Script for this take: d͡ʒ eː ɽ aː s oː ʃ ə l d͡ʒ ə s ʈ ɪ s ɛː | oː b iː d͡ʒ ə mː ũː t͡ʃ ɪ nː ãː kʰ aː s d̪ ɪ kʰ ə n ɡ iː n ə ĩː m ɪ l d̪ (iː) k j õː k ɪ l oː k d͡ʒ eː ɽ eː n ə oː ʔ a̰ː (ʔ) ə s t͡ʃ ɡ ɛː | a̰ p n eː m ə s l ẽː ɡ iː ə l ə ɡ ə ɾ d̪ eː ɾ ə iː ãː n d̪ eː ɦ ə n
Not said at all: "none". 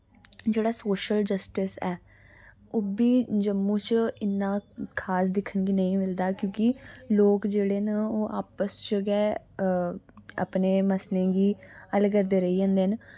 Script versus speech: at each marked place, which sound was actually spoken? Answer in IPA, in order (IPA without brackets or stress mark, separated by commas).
aː, p